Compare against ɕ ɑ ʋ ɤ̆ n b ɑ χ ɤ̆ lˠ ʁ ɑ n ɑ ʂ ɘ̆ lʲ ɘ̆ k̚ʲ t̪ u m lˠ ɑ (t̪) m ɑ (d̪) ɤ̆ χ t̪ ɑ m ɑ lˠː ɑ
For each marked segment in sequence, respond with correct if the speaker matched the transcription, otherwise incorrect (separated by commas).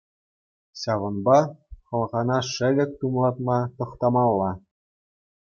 correct, incorrect